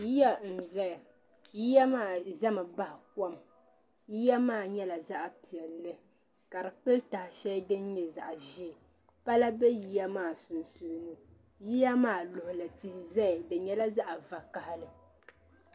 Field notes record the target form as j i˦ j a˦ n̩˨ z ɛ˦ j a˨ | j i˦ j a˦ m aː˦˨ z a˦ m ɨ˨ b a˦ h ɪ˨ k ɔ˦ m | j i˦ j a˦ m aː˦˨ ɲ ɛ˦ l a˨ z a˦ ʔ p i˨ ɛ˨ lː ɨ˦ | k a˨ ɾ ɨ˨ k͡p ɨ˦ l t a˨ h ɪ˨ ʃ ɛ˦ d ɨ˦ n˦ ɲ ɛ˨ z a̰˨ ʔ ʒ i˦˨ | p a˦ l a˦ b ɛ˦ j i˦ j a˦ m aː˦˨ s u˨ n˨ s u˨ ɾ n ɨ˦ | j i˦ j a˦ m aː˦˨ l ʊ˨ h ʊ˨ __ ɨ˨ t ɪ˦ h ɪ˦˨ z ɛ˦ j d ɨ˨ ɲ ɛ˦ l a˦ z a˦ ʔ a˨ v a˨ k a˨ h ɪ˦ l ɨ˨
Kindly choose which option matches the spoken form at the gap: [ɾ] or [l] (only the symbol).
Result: l